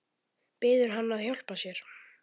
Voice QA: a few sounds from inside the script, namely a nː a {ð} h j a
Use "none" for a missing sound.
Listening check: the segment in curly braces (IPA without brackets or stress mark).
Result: ð